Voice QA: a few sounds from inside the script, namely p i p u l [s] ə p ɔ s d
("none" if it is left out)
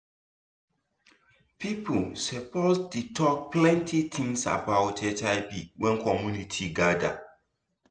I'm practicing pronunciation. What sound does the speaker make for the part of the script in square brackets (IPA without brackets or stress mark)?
s